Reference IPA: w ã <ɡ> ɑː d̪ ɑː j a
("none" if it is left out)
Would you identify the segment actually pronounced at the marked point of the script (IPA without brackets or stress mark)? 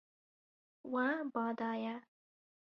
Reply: b